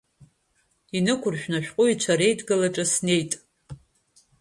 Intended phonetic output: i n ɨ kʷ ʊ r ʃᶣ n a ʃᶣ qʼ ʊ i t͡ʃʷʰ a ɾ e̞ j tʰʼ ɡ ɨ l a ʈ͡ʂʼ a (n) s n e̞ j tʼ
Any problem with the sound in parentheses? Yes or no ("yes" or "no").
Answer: yes